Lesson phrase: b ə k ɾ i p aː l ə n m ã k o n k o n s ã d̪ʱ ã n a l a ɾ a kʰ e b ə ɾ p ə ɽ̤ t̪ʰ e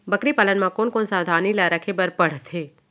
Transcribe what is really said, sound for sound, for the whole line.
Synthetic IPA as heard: b ə k ɾ i p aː l ə n m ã k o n k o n s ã d̪ʱ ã n i l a ɾ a kʰ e b ə ɾ p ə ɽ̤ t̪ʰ e